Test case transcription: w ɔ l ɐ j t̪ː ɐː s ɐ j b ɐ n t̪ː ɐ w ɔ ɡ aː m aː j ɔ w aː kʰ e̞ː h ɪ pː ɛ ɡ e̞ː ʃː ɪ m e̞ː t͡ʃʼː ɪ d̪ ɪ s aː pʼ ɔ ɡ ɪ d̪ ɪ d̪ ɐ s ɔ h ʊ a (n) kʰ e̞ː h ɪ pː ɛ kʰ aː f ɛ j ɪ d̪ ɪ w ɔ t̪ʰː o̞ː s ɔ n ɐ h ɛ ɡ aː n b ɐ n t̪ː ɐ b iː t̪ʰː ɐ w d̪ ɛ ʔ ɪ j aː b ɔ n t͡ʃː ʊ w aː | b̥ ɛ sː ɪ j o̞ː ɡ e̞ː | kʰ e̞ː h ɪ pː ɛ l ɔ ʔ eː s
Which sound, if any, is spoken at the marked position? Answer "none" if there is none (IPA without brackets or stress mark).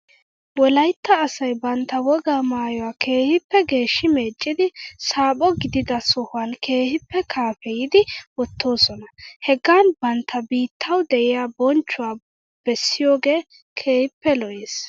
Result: n